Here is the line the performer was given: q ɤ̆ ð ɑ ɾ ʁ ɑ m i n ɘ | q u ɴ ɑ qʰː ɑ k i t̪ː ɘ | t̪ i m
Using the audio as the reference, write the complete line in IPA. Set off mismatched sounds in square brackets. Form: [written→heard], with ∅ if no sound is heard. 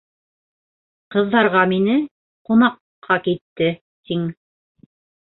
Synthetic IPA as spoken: q ɤ̆ [ð→ðː] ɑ ɾ ʁ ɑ m i n ɘ | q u [ɴ→n] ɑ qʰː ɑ k i t̪ː ɘ | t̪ i [m→ŋ]